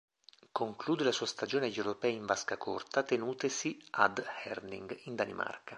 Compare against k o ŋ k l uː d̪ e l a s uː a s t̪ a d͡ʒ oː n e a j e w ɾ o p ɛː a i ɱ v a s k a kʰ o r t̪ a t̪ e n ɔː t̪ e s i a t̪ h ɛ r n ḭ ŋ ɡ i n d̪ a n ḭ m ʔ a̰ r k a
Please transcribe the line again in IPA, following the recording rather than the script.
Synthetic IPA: k o ŋ k l uː d̪ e l a s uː a s t̪ a d͡ʒ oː n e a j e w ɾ o p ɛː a i ɱ v a s k a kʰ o r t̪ a t̪ e n uː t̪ e s i a d̪ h ɛ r n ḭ ŋ ɡ i n d̪ a n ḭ m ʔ a̰ r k a